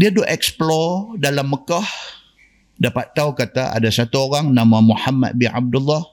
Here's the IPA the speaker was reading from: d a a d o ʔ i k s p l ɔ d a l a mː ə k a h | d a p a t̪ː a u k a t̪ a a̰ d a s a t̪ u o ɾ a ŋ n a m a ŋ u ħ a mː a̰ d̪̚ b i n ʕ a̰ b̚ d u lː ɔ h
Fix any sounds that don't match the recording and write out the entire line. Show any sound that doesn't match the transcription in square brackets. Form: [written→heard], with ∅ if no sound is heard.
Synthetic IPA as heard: d [a→i] a d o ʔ [i→ɛ] k s p l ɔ d a l a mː ə k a h | d a p a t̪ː a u k a t̪ a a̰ d a s a t̪ u o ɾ a ŋ n a m a [ŋ→m] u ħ a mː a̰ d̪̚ b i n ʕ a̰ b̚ d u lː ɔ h